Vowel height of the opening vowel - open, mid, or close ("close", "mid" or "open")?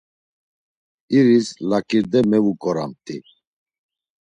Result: close